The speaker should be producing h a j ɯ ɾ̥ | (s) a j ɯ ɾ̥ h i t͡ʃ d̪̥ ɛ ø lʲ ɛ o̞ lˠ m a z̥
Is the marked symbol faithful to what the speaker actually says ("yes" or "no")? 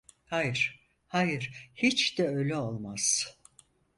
no